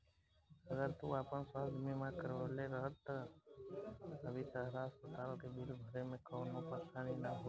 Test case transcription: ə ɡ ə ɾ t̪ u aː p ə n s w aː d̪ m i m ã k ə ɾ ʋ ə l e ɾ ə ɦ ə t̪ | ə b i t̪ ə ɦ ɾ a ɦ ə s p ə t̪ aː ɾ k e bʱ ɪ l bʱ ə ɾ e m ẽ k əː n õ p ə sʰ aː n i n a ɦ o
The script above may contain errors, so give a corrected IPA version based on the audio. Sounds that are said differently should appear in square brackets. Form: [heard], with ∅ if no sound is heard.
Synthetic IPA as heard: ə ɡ ə ɾ t̪ u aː p ə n s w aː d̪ m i m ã k ə ɾ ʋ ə l e ɾ ə ɦ ə t̪ | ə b i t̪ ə ɦ ɾ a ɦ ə s p ə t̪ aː [l] k e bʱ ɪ l bʱ ə ɾ e m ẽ k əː n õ p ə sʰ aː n i n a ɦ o